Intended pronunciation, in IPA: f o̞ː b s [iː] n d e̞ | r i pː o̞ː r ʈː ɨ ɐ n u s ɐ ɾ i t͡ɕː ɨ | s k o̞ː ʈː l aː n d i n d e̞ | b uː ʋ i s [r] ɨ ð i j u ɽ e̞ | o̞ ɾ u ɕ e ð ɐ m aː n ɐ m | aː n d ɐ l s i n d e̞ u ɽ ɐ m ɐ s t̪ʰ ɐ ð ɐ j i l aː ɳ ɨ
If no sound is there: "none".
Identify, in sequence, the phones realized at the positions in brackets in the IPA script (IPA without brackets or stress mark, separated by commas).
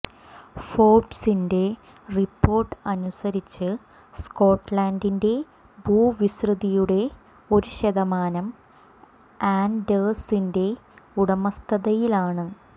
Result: i, r